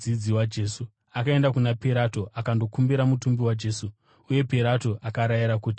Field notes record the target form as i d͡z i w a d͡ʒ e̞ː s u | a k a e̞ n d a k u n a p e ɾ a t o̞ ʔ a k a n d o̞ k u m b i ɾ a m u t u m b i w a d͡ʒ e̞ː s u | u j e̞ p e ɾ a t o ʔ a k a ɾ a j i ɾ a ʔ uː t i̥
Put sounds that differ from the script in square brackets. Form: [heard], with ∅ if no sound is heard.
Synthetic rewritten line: i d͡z i w a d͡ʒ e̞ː s u | a k a e̞ n d a k u n a p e ɾ a t o̞ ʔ a k a n d o̞ k u m b i ɾ a m u t u m b i w a d͡ʒ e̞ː s u | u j e̞ p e ɾ a t o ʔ a k a ɾ a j i ɾ a [k] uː t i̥